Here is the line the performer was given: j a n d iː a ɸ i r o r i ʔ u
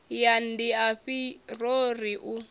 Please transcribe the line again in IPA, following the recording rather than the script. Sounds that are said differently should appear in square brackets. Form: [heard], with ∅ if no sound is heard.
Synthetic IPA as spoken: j a n d [i] a ɸ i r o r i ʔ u